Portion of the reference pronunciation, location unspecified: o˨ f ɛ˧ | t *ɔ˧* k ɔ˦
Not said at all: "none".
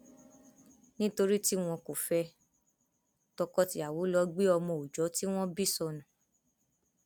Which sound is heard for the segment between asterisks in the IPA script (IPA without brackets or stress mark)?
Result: ɔ˧